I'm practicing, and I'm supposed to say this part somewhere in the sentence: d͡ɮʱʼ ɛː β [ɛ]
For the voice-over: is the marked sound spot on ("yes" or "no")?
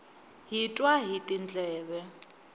yes